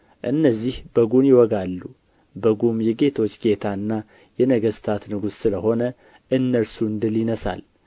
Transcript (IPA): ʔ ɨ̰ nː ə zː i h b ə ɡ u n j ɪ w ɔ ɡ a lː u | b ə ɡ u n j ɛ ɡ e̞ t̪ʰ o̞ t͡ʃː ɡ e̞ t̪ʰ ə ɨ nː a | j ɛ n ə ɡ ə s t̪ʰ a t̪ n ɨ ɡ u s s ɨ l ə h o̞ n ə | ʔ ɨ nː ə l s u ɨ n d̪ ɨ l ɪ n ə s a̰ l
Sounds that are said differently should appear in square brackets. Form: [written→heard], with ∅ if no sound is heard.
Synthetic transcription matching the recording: ʔ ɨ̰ nː ə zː i h b ə ɡ u n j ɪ w ɔ ɡ a lː u | b ə ɡ u [n→m] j ɛ ɡ e̞ t̪ʰ o̞ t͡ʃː ɡ e̞ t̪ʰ [ə→a] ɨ nː a | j ɛ n ə ɡ ə s t̪ʰ a t̪ n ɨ ɡ u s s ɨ l ə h o̞ n ə | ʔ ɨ nː ə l s u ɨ n d̪ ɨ l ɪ n ə s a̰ l